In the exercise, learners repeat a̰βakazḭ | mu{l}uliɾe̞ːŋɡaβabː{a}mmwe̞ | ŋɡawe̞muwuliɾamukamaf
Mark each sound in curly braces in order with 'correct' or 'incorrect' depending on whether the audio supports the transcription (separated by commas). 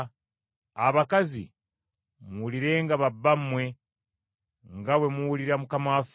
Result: incorrect, correct